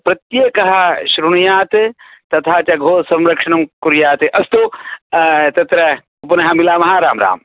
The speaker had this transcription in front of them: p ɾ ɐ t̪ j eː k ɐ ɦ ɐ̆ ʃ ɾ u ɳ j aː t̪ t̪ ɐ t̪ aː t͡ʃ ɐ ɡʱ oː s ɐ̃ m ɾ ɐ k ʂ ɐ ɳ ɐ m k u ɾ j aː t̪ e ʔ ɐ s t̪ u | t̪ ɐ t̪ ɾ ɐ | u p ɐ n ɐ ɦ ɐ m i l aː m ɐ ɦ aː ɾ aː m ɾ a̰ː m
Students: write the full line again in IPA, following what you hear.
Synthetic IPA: p ɾ ɐ t̪ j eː k ɐ ɦ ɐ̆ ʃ ɾ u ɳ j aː t̪ t̪ ɐ t̪ʰ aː t͡ʃ ɐ ɡʱ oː s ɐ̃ m ɾ ɐ k ʂ ɐ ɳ ɐ m k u ɾ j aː t̪ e ʔ ɐ s t̪ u | t̪ ɐ t̪ ɾ ɐ | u p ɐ n ɐ ɦ ɐ m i l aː m ɐ ɦ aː ɾ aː m ɾ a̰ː m

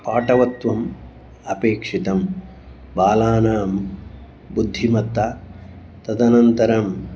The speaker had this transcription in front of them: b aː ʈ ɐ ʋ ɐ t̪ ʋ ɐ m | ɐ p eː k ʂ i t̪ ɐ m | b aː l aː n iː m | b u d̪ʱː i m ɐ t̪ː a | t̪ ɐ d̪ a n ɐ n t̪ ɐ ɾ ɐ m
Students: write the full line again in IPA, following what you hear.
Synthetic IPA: p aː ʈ ɐ ʋ ɐ t̪ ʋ ɐ m | ɐ p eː k ʂ i t̪ ɐ m | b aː l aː n aː m | b u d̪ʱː i m ɐ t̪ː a | t̪ ɐ d̪ ɐ n ɐ n t̪ ɐ ɾ ɐ m

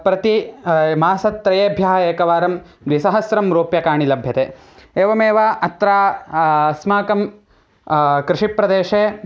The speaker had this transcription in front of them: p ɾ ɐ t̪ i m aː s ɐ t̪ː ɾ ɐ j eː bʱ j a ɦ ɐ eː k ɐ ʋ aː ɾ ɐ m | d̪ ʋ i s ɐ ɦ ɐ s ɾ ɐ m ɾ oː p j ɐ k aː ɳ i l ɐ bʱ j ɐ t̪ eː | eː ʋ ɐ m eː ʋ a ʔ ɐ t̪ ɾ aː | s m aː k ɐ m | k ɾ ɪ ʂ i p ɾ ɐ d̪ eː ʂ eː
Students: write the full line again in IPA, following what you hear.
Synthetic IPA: p ɾ ɐ t̪ i m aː s ɐ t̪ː ɾ ɐ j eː bʱ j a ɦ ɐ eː k ɐ ʋ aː ɾ ɐ m | d̪ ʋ i s ɐ ɦ ɐ s ɾ ɐ m ɾ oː p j ɐ k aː ɳ i l ɐ bʱ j ɐ t̪ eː | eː ʋ ɐ m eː ʋ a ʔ ɐ t̪ ɾ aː | s m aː k ɐ m | k ɾ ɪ ʂ i p ɾ ɐ d̪ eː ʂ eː

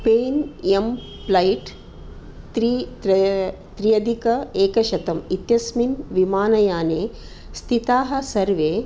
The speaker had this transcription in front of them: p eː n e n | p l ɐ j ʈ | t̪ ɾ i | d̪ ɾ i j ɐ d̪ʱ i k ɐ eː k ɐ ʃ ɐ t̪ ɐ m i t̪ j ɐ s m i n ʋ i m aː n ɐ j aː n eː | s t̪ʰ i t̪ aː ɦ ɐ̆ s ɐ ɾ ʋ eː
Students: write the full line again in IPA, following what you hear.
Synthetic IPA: p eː n e m | p l ɐ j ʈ | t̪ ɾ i | t̪ ɾ i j ɐ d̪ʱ i k ɐ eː k ɐ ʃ ɐ t̪ ɐ m i t̪ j ɐ s m i n ʋ i m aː n ɐ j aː n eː | s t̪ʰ i t̪ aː ɦ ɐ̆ s ɐ ɾ ʋ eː

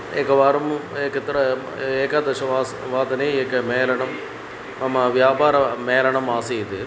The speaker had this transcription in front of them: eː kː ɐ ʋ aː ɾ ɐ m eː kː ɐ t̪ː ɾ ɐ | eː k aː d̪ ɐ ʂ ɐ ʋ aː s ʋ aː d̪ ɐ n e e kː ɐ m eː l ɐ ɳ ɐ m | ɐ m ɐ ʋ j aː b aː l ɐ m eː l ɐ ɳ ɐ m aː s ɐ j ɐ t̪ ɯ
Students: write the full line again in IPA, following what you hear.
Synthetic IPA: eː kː ɐ ʋ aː ɾ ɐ m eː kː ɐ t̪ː ɾ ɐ | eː k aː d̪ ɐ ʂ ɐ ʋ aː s ʋ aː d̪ ɐ n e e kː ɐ m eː l ɐ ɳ ɐ m | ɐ m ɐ ʋ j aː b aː ɾ ɐ m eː l ɐ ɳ ɐ m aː s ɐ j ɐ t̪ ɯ

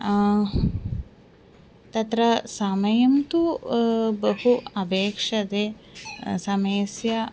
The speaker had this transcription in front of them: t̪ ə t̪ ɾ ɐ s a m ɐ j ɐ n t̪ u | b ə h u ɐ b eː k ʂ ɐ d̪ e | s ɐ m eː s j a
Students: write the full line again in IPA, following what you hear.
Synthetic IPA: t̪ ɐ t̪ ɾ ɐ s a m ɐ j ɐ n t̪ u | b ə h u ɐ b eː k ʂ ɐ d̪ e | s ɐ m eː s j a

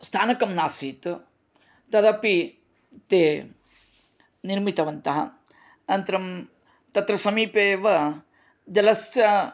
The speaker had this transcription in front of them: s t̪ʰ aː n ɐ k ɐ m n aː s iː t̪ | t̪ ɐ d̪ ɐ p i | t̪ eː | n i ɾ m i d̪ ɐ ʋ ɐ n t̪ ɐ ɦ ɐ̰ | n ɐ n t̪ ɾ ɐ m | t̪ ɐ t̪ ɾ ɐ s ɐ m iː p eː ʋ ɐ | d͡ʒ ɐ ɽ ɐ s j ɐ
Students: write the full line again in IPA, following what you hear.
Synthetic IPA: s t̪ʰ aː n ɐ k ɐ m n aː s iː t̪ | t̪ ɐ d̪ ɐ p i | t̪ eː | n i ɾ m i t̪ ɐ ʋ ɐ n t̪ ɐ ɦ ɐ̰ | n ɐ n t̪ ɾ ɐ m | t̪ ɐ t̪ ɾ ɐ s ɐ m iː p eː ʋ ɐ | d͡ʒ ɐ l ɐ s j ɐ

